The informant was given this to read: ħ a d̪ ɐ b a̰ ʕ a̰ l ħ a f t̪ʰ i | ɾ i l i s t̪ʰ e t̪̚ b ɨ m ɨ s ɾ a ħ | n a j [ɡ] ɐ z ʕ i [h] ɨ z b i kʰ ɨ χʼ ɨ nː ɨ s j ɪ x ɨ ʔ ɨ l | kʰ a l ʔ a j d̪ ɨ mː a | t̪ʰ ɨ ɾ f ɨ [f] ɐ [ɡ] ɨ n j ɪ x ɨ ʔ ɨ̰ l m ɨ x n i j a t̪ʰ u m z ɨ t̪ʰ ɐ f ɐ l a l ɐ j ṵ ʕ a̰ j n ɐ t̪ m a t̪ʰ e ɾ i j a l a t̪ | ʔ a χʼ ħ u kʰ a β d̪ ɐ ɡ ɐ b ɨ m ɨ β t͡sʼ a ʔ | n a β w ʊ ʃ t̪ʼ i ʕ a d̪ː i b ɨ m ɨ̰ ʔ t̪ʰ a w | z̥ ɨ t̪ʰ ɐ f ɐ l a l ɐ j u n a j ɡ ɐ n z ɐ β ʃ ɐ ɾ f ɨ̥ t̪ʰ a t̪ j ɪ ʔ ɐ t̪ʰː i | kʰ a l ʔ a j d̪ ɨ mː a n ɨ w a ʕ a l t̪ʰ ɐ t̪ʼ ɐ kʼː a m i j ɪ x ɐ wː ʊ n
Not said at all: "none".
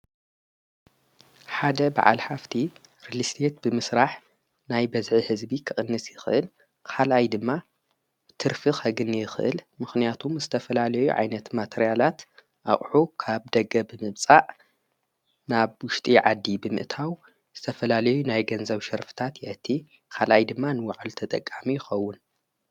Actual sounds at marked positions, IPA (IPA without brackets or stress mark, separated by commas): b, h, x, ɡ